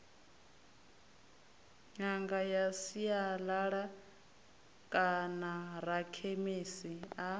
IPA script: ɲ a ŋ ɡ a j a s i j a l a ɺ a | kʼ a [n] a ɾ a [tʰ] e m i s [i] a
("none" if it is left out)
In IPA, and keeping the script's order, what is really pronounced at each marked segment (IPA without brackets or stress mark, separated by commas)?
n, kʰ, i